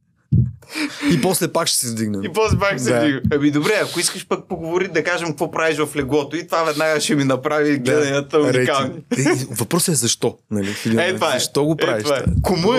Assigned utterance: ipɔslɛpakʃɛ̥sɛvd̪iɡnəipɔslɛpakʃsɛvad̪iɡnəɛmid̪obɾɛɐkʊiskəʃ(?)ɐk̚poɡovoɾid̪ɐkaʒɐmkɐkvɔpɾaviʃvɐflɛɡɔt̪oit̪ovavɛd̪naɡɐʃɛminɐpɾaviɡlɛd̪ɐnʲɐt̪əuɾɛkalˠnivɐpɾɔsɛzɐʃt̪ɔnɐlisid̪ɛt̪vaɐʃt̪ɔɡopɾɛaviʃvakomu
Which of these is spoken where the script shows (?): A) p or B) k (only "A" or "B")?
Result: A